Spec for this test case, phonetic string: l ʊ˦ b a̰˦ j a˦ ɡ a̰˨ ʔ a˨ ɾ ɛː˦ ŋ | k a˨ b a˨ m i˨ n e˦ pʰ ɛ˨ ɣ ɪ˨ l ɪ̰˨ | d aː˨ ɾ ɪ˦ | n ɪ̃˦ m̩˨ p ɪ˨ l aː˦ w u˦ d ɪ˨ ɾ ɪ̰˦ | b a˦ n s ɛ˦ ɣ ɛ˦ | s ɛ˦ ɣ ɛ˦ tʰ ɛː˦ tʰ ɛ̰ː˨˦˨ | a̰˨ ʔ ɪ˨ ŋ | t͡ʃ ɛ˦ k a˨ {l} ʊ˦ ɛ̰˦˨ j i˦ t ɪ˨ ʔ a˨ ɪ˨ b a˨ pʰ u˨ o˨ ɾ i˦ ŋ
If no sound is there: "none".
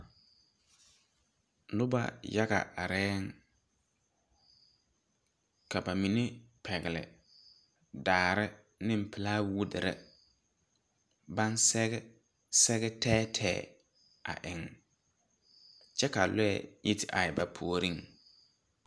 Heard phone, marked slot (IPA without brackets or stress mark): l